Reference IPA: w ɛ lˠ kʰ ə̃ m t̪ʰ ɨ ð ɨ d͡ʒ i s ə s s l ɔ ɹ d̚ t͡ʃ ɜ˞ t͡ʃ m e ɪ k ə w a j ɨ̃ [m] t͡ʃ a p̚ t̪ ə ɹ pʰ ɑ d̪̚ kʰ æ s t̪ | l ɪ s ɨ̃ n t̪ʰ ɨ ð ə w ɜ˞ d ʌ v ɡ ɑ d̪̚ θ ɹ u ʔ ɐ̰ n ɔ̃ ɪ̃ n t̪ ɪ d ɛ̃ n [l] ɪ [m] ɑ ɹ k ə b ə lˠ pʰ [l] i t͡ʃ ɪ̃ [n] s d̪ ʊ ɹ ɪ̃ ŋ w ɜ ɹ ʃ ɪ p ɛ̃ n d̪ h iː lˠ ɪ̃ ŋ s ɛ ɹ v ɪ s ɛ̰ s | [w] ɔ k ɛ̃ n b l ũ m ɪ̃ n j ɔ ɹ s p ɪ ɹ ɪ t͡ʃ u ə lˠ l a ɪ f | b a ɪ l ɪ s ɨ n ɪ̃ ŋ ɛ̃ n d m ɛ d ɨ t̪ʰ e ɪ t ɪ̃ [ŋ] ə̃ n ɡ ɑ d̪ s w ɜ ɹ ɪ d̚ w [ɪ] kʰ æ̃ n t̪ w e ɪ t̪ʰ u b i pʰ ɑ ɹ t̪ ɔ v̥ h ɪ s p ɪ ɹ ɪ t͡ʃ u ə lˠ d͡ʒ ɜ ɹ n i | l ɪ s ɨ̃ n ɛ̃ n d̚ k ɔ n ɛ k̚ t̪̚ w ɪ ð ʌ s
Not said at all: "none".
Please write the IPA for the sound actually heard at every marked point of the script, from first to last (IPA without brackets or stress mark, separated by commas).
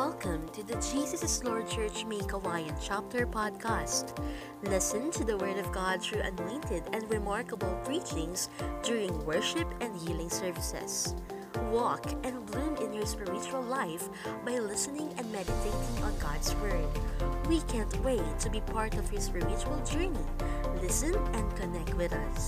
n, ɹ, m, ɹ, ŋ, w, ŋ, i